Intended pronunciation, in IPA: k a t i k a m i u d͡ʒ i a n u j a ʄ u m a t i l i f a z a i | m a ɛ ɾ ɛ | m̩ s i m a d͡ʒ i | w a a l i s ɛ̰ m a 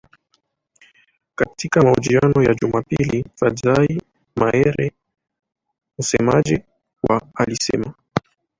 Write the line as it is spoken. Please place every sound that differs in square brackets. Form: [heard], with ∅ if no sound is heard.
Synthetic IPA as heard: k a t i k a m [a] u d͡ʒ i a n [ɔ] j a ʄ u m a [p] i l i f a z a i | m a ɛ ɾ ɛ | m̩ s [ɛ] m a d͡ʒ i | w a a l i s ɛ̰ m a